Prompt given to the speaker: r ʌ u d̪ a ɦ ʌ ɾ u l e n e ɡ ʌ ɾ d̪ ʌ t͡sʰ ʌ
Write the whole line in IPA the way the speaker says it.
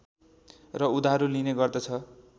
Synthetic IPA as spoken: r ʌ u d̪ a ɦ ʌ ɾ u l i n e ɡ ʌ r d̪ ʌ t͡sʰ ʌ